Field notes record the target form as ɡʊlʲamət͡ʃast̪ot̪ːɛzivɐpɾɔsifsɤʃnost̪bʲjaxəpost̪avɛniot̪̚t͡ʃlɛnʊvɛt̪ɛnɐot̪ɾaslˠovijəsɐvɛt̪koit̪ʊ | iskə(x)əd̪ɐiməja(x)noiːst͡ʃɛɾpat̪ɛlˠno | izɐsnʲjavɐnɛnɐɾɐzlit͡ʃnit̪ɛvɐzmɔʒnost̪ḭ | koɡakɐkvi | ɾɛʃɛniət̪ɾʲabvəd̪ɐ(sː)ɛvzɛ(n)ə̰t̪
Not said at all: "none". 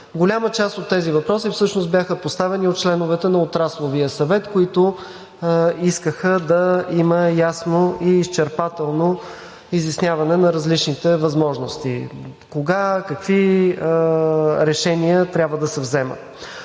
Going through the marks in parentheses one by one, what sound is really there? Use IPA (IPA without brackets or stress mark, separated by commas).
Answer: x, s, s, m